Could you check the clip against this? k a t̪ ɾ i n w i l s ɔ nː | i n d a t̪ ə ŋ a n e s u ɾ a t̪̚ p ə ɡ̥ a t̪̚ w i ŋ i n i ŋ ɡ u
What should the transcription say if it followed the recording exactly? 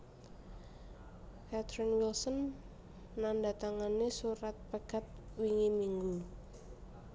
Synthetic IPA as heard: k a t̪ ɾ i n w i l s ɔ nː | a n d a t̪ a ŋ a n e s u ɾ a t̪̚ p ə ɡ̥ a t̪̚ w i ŋ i m i ŋ ɡ u